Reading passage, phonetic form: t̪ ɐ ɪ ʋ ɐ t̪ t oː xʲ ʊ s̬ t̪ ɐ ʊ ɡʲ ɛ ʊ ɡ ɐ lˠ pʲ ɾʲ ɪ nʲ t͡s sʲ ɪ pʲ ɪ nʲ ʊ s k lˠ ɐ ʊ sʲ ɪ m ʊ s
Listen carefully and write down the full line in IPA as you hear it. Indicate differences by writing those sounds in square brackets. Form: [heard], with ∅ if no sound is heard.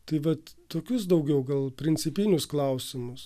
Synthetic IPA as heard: t̪ ɐ ɪ ʋ ɐ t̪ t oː [kʲ] ʊ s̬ [d̪] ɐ ʊ ɡʲ ɛ ʊ ɡ ɐ lˠ pʲ ɾʲ ɪ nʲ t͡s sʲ ɪ pʲ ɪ nʲ ʊ s k lˠ ɐ ʊ sʲ ɪ m ʊ s